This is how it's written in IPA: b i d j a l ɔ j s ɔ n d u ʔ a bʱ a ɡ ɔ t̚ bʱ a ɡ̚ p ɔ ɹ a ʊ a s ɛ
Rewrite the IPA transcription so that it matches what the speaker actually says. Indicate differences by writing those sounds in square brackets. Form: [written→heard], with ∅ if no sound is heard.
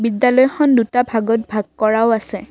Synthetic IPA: b i d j a l ɔ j [s→x] ɔ n d u [ʔ→t] a bʱ a ɡ ɔ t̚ bʱ a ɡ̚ [p→k] ɔ ɹ a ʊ a s ɛ